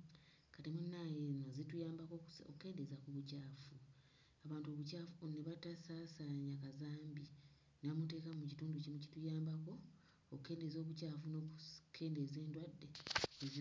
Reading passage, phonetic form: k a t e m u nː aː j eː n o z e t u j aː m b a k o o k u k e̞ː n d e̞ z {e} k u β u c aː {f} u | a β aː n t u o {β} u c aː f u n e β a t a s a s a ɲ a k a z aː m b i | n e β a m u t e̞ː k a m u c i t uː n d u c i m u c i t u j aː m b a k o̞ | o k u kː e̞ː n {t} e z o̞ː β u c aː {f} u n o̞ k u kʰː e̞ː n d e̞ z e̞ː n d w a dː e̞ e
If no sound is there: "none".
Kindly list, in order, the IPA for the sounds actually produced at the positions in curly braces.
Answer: a, f, β, d, f

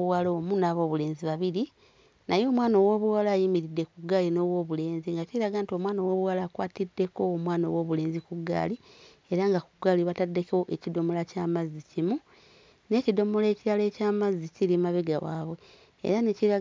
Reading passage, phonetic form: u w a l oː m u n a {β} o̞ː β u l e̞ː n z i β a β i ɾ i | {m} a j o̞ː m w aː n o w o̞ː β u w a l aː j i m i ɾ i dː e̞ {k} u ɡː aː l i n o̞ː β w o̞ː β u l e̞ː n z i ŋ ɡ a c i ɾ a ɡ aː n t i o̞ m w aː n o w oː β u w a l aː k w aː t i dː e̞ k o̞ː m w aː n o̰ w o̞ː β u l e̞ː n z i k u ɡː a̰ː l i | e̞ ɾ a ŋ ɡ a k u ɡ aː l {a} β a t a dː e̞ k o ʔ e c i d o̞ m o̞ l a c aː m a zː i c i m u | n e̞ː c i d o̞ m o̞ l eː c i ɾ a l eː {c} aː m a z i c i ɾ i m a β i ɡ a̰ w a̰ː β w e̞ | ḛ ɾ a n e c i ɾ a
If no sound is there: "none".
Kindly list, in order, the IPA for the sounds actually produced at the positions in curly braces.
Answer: β, n, k, i, c

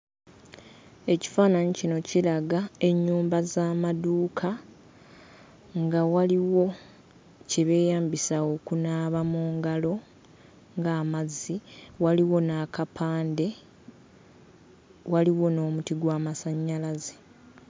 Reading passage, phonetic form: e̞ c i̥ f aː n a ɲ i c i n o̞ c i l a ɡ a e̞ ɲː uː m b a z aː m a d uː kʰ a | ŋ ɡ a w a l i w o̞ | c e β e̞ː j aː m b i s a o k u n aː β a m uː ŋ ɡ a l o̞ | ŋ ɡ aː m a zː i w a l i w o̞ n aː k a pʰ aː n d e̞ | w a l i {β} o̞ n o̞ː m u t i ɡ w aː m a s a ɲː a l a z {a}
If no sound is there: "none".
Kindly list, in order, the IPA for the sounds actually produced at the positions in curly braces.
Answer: w, e

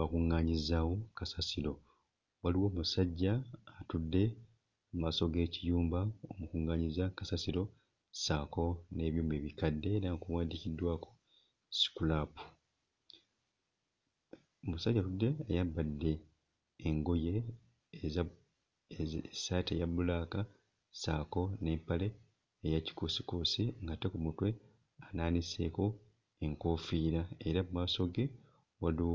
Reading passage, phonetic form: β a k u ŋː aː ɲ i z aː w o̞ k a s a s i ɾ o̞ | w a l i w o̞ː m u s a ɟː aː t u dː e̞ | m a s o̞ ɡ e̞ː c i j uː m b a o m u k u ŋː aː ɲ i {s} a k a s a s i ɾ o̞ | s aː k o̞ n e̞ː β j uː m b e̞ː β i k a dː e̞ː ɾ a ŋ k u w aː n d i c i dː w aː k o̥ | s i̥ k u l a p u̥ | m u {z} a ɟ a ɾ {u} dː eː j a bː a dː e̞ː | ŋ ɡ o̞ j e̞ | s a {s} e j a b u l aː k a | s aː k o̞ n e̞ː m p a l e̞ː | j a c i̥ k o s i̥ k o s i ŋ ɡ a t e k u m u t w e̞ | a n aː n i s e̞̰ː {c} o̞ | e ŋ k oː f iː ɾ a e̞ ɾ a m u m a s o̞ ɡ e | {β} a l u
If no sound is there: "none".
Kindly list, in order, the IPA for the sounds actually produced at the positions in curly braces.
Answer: z, s, u, t, k, w

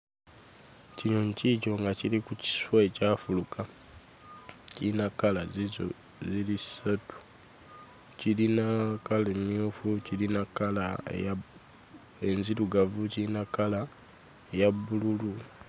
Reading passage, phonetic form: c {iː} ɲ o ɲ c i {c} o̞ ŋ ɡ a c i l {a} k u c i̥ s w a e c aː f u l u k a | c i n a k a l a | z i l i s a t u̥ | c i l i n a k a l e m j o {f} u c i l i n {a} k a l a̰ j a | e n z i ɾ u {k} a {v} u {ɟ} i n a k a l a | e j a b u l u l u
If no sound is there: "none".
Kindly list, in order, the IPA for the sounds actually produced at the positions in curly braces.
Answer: i, c, i, f, a, ɡ, v, c

